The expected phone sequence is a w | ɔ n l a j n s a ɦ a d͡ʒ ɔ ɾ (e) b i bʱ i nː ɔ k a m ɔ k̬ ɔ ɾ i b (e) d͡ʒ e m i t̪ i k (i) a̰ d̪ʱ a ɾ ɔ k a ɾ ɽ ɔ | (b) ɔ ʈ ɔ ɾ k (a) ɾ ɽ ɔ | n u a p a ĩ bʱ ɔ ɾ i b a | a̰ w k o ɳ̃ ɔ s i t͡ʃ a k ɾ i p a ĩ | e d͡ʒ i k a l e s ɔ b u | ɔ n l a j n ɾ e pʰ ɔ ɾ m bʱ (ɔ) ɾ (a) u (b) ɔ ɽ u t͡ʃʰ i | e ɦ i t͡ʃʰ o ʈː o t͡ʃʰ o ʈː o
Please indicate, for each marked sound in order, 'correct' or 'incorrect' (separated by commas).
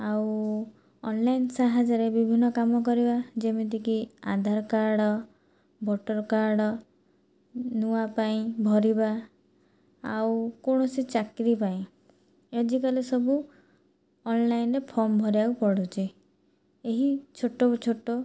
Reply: correct, incorrect, correct, correct, correct, correct, correct, incorrect